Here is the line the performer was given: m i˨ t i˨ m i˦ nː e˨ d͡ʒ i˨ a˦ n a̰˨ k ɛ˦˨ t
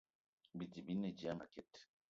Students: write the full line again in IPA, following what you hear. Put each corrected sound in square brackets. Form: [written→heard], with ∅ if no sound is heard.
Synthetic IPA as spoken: [m→b] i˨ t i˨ [m→b] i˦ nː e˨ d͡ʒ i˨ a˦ [n→m] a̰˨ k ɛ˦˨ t